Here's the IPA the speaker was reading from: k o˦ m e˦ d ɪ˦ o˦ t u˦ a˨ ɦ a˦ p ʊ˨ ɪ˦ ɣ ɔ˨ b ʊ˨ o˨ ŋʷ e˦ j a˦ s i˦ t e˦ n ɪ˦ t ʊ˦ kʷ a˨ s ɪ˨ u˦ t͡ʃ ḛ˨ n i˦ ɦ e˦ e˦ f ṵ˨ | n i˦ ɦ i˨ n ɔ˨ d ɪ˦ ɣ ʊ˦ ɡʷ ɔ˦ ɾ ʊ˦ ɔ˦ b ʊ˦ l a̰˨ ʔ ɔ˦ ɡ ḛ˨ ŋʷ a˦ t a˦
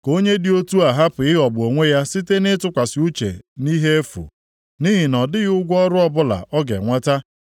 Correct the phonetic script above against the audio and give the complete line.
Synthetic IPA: k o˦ ɲ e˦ d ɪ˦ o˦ t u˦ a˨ ɦ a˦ p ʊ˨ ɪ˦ ɣ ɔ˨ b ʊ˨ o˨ ŋʷ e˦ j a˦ s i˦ t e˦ n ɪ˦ t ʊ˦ kʷ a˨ s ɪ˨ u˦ t͡ʃ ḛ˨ n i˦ ɦ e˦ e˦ f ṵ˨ | n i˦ ɦ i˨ n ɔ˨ d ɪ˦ ɣ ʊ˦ ɡʷ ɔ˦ ɾ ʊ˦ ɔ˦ b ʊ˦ l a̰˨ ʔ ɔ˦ ɡ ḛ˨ ŋʷ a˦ t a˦

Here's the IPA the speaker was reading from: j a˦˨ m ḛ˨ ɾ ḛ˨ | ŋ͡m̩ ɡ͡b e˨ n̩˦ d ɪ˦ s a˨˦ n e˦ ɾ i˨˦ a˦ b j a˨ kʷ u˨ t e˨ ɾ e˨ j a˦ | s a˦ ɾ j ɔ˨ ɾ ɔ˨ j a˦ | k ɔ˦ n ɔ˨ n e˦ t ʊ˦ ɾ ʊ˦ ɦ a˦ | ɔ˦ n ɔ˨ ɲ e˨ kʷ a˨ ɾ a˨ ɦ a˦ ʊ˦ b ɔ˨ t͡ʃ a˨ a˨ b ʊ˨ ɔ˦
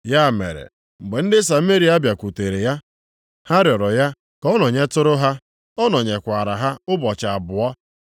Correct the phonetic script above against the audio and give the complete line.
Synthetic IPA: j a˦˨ m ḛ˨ ɾ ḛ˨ | ŋ͡m̩ ɡ͡b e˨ n̩˦ d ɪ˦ s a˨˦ m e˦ ɾ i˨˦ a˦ b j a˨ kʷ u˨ t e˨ ɾ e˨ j a˦ | h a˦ ɾ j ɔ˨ ɾ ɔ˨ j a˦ | k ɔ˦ n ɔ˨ ɲ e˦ t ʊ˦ ɾ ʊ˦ ɦ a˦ | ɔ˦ n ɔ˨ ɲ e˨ kʷ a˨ ɾ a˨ ɦ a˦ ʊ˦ b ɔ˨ t͡ʃ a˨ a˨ b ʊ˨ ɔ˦

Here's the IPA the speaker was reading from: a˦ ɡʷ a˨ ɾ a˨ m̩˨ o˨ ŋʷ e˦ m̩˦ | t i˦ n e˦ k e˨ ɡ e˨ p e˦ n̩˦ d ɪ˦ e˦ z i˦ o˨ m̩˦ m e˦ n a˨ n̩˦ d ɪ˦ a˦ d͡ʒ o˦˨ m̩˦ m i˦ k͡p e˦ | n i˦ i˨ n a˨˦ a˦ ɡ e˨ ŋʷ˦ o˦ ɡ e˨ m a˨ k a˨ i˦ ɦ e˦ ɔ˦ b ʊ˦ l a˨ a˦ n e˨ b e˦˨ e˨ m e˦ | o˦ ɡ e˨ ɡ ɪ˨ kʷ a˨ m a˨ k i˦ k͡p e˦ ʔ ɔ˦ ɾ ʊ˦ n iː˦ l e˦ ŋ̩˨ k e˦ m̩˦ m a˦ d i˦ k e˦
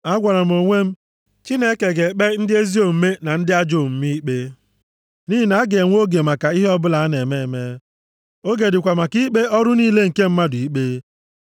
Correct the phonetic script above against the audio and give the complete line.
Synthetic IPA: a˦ ɡʷ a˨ ɾ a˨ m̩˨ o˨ ŋʷ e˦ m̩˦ | t͡ʃ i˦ n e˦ k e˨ ɡ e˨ k͡p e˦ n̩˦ d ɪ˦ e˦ z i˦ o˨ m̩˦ m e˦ n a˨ n̩˦ d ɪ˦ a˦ d͡ʒ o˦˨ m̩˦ m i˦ k͡p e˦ | n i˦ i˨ n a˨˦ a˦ ɡ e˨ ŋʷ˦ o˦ ɡ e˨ m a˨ k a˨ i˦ ɦ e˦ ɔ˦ b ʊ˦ l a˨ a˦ n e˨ m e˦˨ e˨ m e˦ | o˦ ɡ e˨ d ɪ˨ kʷ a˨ m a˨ k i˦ k͡p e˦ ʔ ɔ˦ ɾ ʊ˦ n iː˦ l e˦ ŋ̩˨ k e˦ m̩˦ m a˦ d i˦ k͡p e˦

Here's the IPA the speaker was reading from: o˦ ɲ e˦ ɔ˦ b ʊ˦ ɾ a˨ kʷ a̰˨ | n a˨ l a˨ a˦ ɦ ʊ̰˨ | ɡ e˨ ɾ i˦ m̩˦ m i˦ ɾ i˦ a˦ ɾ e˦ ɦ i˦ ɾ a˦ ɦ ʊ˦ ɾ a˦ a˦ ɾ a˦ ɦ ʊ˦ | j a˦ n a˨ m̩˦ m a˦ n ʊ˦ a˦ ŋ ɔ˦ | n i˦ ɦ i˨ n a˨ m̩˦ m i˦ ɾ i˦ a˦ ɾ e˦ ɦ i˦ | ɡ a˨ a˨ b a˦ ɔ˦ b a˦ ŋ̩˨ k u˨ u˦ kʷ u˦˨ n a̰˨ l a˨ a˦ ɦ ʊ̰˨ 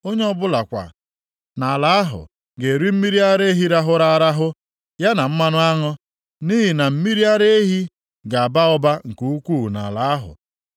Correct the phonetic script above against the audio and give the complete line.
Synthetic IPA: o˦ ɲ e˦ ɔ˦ b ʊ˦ l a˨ kʷ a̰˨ | n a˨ l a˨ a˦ ɦ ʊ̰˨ | ɡ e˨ ɾ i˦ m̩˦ m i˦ ɾ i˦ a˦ ɾ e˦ ɦ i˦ ɾ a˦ ɦ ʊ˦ ɾ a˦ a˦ ɾ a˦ ɦ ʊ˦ | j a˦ n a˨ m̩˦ m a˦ n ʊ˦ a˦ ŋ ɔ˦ | n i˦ ɦ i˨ n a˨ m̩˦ m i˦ ɾ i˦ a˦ ɾ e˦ ɦ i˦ | ɡ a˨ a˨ b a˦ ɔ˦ b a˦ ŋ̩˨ k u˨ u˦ kʷ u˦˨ n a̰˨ l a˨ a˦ ɦ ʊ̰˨

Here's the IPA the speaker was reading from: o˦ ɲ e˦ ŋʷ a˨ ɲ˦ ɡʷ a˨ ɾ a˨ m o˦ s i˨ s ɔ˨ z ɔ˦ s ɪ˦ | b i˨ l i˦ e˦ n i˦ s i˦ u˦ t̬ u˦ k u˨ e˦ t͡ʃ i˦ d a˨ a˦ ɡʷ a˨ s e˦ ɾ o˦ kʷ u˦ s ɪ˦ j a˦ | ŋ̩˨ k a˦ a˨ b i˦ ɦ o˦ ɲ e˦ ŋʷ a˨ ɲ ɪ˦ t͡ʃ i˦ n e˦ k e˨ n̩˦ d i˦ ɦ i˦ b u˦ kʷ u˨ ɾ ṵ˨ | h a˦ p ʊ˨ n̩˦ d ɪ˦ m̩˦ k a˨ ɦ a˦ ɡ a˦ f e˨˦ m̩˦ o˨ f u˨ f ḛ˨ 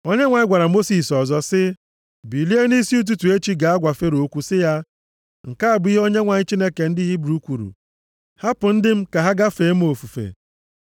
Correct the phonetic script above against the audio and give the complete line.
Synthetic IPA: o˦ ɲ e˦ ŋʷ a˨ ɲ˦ ɡʷ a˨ ɾ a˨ m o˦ s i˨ s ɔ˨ z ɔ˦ s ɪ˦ | b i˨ l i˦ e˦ n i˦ s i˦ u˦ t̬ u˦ t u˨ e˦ t͡ʃ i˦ ɡ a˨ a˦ ɡʷ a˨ f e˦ ɾ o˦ kʷ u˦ s ɪ˦ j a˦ | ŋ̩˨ k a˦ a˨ b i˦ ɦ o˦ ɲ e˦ ŋʷ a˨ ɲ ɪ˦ t͡ʃ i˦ n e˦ k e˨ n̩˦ d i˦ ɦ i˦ b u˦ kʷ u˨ ɾ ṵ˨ | h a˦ p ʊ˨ n̩˦ d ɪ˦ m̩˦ k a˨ ɦ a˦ ɡ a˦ f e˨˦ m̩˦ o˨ f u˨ f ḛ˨

